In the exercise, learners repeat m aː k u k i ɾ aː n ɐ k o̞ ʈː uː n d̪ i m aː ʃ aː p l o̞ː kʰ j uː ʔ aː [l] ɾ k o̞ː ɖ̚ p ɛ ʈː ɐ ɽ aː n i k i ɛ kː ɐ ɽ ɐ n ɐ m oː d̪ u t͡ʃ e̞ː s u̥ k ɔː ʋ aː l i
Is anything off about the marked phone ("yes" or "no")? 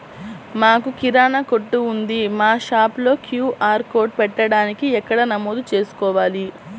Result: yes